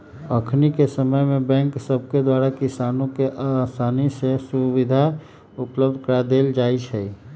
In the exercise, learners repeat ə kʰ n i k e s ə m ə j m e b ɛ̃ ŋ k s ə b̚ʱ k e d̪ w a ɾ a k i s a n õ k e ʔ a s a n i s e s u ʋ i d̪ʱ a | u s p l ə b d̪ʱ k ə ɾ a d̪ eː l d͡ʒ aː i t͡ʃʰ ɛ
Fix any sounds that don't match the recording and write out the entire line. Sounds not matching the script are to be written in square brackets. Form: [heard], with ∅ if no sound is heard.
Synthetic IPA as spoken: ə kʰ n i k e s ə m ə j m e b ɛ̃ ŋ k s ə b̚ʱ k e d̪ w a ɾ a k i s a n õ k e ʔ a s a n i s e s u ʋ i d̪ʱ a | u [∅] p l ə b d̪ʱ k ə ɾ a d̪ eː l d͡ʒ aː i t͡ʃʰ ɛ